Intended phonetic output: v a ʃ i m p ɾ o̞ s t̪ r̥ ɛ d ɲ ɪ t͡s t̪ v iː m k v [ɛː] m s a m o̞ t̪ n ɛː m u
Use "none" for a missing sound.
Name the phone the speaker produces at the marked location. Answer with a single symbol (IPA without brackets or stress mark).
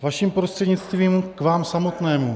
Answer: aː